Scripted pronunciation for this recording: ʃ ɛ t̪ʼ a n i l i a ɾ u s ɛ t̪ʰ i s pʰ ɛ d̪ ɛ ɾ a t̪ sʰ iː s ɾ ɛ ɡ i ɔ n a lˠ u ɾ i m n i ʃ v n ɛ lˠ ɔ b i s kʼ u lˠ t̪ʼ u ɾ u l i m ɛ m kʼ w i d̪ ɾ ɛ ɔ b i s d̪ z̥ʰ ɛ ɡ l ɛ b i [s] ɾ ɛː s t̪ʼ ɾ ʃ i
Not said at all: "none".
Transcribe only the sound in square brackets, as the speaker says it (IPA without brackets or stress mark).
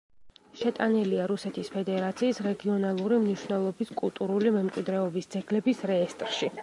s